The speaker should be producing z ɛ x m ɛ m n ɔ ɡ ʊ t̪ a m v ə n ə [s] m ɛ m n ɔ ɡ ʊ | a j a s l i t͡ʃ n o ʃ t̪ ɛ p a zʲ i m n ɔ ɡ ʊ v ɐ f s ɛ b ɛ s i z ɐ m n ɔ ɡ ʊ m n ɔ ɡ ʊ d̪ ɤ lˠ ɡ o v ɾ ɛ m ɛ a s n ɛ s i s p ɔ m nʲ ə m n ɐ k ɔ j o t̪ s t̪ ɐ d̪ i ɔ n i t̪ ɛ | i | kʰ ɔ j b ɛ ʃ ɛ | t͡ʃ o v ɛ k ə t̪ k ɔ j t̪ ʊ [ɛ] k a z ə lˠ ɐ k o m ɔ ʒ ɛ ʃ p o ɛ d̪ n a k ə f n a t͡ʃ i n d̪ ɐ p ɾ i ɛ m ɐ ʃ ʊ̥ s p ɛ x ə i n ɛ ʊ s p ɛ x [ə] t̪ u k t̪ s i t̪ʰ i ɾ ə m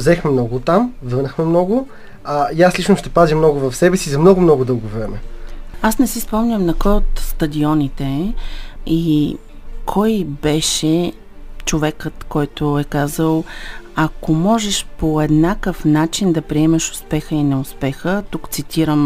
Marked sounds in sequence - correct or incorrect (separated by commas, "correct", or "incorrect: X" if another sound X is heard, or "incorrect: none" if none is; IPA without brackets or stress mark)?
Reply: incorrect: x, correct, correct